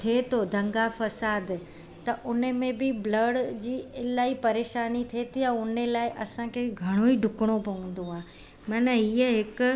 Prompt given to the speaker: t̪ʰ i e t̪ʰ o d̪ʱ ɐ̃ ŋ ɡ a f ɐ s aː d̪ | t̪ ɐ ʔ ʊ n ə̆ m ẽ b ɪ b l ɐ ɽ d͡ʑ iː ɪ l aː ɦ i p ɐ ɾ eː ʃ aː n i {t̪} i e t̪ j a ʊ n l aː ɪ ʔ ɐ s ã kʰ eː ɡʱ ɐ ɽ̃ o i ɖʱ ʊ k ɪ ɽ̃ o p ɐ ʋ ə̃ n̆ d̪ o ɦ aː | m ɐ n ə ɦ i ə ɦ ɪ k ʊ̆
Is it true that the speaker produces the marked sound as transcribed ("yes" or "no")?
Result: no